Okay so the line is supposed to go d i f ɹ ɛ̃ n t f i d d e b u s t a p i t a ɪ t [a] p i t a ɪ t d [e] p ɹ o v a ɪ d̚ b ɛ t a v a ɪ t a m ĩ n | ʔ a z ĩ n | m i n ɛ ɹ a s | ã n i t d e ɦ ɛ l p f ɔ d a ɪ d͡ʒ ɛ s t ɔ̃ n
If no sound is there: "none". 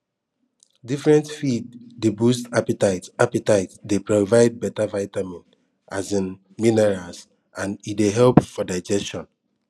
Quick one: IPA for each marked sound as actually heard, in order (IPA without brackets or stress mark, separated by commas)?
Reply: a, e